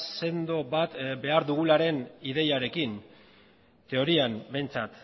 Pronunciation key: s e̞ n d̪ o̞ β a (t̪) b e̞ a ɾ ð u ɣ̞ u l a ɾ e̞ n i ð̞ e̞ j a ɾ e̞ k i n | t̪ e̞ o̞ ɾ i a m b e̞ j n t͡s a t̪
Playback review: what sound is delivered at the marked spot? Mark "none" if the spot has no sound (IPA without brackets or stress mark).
t̪